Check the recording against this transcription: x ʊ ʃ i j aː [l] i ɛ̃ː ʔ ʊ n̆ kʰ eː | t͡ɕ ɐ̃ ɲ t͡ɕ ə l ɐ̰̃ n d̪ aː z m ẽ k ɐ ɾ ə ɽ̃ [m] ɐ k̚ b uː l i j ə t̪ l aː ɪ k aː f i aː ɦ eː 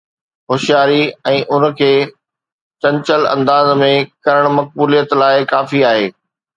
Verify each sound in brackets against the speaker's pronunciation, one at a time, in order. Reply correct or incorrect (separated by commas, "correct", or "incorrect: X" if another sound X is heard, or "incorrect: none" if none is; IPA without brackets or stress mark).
incorrect: ɾ, correct